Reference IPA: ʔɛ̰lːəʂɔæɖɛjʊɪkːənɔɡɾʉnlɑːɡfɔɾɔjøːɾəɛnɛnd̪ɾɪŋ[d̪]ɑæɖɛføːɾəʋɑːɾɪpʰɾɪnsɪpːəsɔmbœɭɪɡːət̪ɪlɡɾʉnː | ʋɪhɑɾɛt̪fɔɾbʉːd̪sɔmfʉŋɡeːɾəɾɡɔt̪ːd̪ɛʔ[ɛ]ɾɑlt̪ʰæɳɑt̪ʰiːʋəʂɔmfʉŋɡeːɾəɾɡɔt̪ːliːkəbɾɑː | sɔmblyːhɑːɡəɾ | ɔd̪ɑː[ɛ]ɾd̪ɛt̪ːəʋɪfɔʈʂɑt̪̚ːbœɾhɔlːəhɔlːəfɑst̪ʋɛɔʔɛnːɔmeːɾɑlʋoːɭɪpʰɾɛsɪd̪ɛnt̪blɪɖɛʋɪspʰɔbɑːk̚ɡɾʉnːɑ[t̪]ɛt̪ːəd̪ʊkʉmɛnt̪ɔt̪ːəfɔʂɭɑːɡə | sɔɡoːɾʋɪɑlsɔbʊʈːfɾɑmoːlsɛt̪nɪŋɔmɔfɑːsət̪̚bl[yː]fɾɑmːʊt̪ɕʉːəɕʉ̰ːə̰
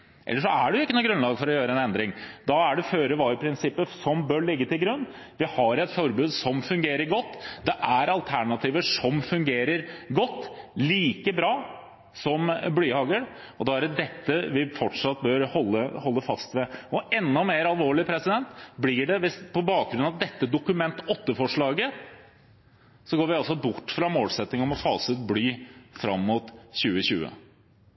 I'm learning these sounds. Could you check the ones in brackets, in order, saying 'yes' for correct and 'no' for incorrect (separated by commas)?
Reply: yes, no, no, no, yes